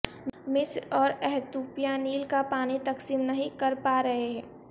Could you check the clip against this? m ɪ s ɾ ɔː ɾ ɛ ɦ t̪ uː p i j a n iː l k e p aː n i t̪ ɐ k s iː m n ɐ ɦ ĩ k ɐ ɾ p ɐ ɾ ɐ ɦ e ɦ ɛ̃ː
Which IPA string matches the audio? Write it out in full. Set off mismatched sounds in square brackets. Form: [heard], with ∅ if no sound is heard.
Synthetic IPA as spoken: m ɪ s ɾ ɔː ɾ ɛ ɦ t̪ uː p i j a n iː l k [a] p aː n i t̪ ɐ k s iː m n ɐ ɦ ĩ k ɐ ɾ p [a] ɾ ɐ ɦ e ɦ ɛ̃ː